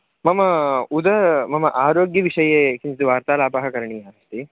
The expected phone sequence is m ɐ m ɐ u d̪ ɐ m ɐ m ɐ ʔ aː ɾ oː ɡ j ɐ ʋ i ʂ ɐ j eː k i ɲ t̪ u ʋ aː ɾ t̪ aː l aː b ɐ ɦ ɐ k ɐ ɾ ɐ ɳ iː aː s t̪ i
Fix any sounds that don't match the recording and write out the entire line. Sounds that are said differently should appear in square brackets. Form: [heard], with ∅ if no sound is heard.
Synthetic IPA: m ɐ m ɐ u d̪ ɐ m ɐ m ɐ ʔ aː ɾ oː ɡ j ɐ ʋ i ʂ ɐ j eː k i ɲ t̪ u ʋ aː ɾ t̪ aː l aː [p] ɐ ɦ ɐ k ɐ ɾ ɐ ɳ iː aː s t̪ i